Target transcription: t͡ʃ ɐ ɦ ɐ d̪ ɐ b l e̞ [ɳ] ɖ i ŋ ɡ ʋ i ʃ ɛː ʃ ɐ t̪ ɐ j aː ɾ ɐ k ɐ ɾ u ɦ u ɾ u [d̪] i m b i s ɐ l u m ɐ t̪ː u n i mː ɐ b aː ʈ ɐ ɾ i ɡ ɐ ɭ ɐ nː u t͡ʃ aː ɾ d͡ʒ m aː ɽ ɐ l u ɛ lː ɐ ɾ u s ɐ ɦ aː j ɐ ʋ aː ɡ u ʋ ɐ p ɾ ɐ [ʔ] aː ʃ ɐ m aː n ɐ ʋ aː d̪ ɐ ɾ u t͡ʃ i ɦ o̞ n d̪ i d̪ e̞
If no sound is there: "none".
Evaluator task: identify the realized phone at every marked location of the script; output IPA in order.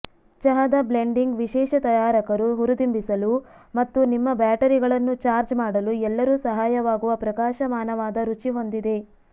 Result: ɳ, d̪, k

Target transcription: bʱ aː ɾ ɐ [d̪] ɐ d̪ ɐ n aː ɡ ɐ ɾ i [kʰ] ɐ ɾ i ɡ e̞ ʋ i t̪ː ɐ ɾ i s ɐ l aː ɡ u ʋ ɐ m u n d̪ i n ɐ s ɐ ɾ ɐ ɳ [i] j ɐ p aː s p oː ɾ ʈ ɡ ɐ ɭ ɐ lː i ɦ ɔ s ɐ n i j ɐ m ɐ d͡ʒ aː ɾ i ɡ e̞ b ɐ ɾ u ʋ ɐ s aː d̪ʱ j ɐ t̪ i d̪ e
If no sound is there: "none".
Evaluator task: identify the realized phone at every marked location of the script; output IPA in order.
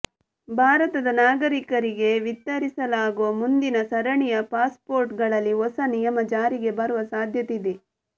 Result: t̪, k, i

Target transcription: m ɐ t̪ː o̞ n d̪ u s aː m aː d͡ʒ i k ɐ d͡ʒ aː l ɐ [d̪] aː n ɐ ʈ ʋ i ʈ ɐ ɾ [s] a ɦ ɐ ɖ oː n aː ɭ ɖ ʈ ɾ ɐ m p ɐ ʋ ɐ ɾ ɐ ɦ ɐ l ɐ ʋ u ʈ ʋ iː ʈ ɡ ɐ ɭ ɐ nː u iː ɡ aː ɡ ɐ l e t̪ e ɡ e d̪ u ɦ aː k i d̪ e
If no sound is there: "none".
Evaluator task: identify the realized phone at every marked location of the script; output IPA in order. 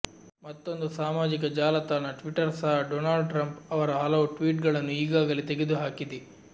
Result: t̪, s

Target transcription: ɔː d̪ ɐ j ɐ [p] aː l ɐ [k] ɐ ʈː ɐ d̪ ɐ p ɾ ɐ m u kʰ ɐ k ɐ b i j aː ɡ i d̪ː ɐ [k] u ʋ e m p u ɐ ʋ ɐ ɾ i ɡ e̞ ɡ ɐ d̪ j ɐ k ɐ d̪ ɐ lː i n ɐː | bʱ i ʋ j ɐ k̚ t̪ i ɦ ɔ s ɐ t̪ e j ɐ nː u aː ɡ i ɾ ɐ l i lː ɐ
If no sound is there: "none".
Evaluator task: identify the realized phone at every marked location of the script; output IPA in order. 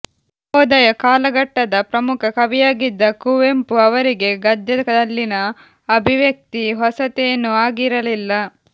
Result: k, ɡ, k

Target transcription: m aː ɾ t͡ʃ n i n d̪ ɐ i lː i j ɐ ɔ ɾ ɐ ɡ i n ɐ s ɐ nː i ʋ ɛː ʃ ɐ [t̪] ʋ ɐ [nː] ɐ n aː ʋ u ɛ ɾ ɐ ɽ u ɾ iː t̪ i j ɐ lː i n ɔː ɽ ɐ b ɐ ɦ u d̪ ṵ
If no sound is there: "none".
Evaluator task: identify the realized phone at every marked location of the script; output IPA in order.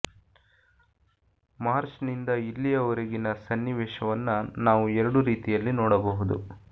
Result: none, nː

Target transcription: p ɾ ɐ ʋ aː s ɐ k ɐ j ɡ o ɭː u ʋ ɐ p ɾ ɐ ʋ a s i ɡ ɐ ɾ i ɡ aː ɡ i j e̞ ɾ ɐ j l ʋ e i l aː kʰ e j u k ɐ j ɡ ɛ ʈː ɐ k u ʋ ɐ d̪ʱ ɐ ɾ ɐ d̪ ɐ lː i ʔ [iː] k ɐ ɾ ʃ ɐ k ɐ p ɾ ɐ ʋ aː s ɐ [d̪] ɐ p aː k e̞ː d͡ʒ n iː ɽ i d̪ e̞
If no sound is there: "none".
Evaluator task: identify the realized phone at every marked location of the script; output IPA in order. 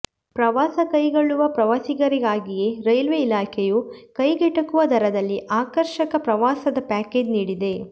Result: aː, d̪

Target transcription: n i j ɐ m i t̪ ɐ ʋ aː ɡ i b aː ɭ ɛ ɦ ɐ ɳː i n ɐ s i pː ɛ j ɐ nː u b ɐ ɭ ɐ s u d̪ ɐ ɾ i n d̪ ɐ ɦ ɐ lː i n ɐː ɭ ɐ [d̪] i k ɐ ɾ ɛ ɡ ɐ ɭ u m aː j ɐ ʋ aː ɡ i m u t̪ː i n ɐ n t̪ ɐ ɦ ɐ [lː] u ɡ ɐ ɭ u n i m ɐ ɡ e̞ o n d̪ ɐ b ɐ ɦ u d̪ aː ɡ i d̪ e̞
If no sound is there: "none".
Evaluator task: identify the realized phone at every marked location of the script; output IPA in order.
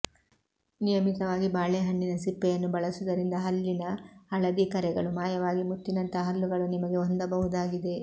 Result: d̪, lː

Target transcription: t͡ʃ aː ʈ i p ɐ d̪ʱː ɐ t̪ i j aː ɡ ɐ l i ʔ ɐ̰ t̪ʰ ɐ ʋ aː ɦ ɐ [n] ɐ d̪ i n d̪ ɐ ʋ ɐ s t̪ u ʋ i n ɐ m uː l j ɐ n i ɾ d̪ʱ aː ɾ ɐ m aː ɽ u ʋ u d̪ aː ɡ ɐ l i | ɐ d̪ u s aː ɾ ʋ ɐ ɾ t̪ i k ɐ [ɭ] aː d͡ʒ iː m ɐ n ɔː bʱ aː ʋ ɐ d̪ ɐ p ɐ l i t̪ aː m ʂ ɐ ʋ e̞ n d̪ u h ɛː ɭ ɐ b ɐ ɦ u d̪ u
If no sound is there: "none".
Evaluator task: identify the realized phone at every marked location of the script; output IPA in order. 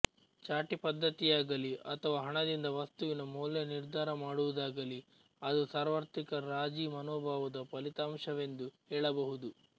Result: ɳ, ɾ

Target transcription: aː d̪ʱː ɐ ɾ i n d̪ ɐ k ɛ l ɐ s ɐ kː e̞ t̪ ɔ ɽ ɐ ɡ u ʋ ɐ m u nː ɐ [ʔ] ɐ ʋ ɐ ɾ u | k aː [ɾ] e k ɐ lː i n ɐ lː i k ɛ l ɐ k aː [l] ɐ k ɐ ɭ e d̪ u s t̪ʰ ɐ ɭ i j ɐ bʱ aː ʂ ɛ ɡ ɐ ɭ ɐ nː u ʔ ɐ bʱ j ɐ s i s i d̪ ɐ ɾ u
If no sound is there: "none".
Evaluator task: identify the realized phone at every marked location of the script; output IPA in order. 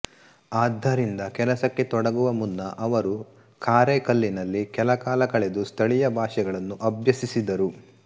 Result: ʔ, ɾ, l

